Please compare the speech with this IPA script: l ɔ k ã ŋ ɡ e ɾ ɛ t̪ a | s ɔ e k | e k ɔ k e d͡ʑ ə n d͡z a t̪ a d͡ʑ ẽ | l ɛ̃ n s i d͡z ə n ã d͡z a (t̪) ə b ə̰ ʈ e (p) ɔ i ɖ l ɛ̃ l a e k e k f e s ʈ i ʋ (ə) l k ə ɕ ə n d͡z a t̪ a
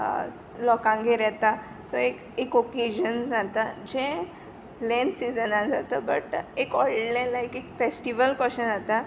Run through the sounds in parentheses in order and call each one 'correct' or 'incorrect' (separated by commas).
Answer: correct, incorrect, correct